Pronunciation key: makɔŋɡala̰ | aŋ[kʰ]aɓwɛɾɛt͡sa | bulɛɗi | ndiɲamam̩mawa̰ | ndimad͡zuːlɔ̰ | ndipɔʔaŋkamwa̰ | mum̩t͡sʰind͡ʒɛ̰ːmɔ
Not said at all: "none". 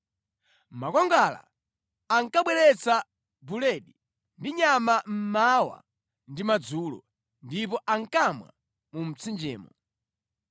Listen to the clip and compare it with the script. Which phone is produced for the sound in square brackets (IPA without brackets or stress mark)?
k